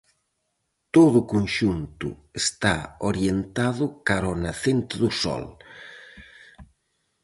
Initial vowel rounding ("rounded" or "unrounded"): rounded